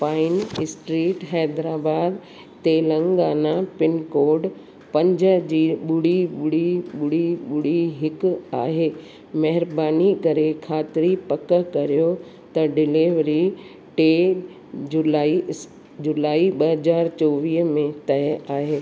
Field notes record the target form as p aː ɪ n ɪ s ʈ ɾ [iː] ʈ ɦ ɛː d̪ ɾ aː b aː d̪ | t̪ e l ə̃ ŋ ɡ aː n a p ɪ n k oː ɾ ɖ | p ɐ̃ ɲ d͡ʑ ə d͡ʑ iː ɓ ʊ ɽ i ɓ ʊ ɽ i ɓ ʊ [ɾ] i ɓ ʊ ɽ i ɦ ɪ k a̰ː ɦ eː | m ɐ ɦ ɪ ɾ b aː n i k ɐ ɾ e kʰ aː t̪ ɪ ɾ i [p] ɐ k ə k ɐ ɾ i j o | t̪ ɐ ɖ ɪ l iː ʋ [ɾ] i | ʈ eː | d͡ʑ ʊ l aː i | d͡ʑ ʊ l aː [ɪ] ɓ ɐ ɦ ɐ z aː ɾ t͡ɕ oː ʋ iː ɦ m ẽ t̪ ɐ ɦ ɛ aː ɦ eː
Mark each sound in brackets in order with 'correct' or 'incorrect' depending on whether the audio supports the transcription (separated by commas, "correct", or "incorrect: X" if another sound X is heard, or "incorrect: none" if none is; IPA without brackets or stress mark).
correct, incorrect: ɽ, correct, correct, incorrect: i